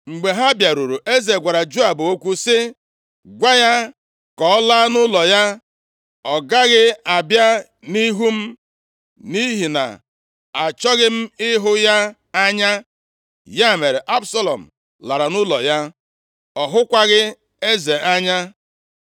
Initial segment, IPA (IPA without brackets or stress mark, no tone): ŋ͡m̩